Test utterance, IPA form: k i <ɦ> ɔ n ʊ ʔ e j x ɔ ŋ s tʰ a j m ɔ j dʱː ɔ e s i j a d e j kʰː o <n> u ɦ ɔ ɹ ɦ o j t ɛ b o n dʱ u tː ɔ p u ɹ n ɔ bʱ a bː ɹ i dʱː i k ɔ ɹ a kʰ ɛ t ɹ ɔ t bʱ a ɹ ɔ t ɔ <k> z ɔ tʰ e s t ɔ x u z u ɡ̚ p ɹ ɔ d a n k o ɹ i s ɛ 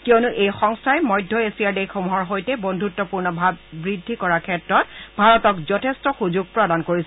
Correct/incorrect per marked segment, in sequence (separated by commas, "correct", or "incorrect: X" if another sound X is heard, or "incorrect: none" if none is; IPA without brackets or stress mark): incorrect: none, incorrect: m, correct